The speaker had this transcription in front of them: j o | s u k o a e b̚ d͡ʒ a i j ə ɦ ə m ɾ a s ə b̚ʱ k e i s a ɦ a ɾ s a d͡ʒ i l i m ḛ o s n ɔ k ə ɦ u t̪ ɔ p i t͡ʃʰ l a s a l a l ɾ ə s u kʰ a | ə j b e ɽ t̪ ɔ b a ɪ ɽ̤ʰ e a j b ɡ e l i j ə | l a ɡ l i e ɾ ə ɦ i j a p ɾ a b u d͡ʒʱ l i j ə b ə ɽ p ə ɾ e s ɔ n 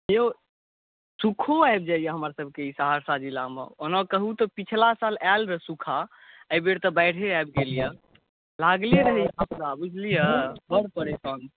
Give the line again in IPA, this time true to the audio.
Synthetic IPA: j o | s u kʰ o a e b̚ d͡ʒ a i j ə ɦ ə m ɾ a s ə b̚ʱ k e i s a ɦ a ɾ s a d͡ʒ i l a m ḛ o n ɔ k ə ɦ u t̪ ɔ p i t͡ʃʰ l a s a l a l ɾ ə s u kʰ a | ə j b e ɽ t̪ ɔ b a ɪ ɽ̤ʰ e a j b ɡ e l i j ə | l a ɡ l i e ɾ ə ɦ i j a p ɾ a b u d͡ʒʱ l i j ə b ə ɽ p ə ɾ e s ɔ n